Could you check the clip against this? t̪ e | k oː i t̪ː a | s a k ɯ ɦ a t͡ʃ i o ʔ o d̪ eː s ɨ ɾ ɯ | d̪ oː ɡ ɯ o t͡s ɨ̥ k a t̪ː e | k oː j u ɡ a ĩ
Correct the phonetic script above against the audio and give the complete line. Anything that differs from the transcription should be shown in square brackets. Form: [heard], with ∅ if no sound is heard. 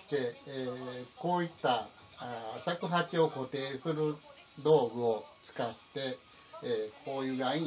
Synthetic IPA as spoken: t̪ e | k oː i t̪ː a | s a k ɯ ɦ a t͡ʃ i o [k] o [t̪] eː s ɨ ɾ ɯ | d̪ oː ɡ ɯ o t͡s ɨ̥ k a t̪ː e | k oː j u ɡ a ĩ